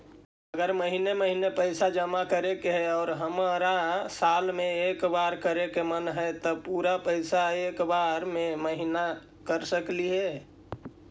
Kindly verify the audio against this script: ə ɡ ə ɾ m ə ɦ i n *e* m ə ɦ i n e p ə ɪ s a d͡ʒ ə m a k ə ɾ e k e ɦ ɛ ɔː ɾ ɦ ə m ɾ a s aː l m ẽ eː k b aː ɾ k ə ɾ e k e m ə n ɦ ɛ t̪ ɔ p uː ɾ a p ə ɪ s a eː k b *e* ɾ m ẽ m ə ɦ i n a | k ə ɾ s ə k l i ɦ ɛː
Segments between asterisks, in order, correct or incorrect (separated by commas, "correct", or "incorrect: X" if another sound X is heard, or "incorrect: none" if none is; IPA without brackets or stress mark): correct, incorrect: a